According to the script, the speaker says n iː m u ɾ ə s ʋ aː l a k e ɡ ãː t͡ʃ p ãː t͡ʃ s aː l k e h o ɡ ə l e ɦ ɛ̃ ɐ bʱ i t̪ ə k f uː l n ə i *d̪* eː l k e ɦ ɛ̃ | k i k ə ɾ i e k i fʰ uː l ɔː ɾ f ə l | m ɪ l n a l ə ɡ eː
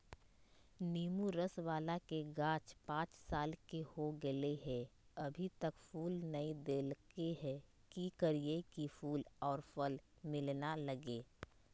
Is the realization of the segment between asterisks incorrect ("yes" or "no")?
no